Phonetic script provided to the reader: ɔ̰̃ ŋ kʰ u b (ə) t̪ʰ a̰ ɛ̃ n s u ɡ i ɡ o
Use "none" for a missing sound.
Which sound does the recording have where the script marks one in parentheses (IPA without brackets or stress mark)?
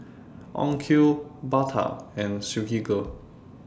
a